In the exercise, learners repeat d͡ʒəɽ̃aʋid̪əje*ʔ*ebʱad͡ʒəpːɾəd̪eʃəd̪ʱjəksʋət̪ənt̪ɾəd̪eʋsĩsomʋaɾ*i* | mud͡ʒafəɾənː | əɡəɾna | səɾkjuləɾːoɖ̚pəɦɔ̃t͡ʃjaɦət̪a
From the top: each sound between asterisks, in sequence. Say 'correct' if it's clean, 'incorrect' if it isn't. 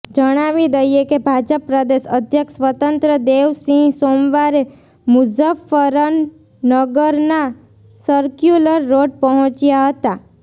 incorrect: k, incorrect: e

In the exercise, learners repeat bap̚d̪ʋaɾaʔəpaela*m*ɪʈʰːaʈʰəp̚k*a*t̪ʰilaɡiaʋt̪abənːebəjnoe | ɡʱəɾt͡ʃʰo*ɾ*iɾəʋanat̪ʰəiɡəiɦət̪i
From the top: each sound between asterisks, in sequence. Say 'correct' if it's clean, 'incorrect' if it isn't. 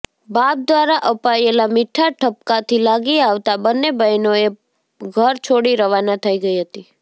correct, correct, incorrect: ɽ

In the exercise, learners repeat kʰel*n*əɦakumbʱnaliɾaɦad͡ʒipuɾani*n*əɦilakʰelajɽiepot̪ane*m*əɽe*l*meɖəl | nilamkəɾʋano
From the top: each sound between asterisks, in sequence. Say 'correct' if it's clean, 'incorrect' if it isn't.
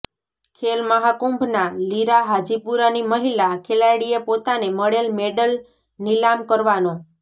incorrect: m, incorrect: m, correct, correct

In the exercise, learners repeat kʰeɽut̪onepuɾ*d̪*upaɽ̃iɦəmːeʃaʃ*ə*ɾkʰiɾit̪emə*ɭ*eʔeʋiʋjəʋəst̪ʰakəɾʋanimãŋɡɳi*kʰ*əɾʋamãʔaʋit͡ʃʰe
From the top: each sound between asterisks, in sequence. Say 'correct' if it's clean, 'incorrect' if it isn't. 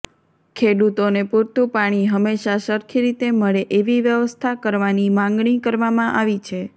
incorrect: t̪, correct, correct, incorrect: k

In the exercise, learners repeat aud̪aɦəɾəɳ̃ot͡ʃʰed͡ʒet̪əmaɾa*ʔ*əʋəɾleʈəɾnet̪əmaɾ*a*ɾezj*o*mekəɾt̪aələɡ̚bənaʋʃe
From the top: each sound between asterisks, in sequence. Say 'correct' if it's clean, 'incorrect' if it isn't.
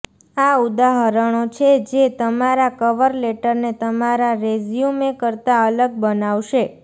incorrect: k, correct, incorrect: u

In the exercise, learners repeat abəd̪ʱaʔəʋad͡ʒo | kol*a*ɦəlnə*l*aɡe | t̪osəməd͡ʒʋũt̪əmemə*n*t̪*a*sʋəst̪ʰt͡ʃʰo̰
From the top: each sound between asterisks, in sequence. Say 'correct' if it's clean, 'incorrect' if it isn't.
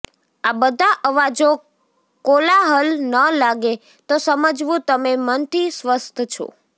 correct, correct, correct, incorrect: i

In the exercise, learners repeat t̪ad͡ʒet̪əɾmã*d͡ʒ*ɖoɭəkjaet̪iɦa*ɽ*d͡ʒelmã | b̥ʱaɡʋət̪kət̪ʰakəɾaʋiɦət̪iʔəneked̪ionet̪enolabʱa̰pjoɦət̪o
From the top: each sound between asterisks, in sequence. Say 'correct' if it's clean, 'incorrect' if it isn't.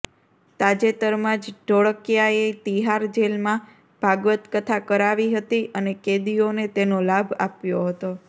correct, incorrect: ɾ

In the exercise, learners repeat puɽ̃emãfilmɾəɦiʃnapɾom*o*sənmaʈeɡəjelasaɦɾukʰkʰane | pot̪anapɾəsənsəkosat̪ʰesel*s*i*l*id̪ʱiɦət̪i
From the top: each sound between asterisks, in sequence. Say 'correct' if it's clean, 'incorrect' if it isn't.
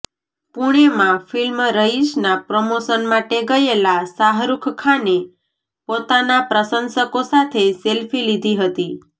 correct, incorrect: f, correct

